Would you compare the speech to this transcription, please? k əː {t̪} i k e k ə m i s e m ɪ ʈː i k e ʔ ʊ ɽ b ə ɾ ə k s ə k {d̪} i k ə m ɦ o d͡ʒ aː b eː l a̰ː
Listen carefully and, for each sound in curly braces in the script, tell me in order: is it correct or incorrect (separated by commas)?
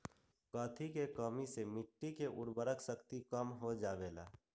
incorrect, incorrect